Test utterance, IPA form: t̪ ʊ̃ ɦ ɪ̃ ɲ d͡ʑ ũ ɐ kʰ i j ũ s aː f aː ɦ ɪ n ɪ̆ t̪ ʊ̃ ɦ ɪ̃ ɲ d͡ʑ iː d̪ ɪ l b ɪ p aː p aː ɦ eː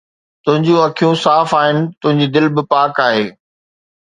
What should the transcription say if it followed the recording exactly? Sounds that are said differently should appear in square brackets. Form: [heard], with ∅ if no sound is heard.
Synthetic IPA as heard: t̪ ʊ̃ ɦ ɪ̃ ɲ d͡ʑ ũ ɐ kʰ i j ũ s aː f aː ɦ ɪ n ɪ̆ t̪ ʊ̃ ɦ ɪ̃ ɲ d͡ʑ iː d̪ ɪ l b ɪ p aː [k] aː ɦ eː